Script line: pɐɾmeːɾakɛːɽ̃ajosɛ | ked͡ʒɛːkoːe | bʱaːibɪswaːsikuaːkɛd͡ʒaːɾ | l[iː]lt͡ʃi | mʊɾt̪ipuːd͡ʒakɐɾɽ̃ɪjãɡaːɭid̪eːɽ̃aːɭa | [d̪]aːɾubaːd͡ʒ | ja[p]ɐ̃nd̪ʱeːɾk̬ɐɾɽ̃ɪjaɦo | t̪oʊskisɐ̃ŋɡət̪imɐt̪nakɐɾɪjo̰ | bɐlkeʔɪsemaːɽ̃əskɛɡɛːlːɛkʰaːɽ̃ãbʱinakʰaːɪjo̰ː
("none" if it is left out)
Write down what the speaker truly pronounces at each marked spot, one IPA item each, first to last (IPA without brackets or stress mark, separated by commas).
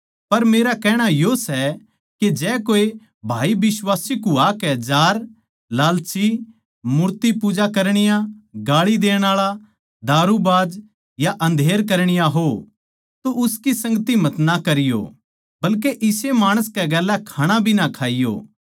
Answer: aː, d̪, ʔ